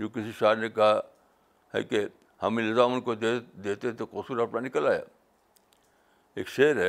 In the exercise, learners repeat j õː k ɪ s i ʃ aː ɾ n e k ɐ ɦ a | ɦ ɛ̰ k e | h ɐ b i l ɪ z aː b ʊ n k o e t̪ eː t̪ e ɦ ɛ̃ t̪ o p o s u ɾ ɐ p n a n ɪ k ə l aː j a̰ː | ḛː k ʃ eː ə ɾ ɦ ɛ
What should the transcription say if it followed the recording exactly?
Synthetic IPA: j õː k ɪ s i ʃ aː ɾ n e k ɐ ɦ a | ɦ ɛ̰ k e | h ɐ m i l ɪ z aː m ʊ n k o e d̪ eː t̪ e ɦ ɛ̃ t̪ o k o s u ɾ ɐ p n a n ɪ k ə l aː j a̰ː | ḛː k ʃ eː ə ɾ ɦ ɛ